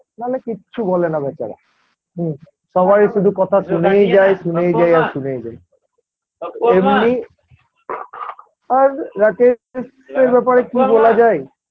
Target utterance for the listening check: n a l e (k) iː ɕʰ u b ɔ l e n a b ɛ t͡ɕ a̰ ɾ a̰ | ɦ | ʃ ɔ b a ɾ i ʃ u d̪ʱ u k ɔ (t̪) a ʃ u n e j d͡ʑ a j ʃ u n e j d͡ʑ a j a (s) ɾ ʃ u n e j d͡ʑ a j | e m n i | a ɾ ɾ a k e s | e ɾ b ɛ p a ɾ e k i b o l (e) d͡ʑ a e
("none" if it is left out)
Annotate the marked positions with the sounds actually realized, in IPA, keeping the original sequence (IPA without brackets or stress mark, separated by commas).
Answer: k, t̪ʰ, none, a